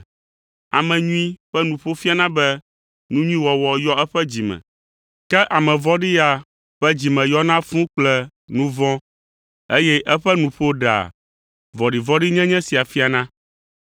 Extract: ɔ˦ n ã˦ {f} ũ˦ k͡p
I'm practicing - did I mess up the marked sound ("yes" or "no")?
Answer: no